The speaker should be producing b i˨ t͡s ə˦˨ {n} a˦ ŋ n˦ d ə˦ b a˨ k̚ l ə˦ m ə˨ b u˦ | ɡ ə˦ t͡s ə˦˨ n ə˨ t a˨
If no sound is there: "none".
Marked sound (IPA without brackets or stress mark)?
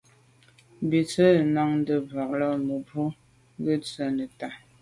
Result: n